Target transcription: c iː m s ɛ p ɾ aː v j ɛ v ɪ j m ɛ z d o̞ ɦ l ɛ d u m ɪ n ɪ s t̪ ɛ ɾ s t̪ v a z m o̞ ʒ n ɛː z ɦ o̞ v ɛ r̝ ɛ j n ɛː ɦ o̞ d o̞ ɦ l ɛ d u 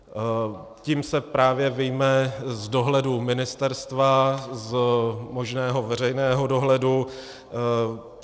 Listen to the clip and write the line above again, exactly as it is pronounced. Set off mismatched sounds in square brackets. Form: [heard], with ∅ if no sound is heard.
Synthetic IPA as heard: c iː m s ɛ p ɾ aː v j ɛ v ɪ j m ɛ z d o̞ ɦ l ɛ d u m ɪ n ɪ s t̪ ɛ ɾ s t̪ v a z m o̞ ʒ n ɛː [∅] ɦ o̞ v ɛ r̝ ɛ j n ɛː ɦ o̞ d o̞ ɦ l ɛ d u